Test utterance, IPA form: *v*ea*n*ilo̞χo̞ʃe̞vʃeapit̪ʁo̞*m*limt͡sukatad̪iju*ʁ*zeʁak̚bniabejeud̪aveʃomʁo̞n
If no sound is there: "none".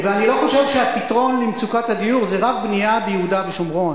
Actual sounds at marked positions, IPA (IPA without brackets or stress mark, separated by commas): v, n, n, ʁ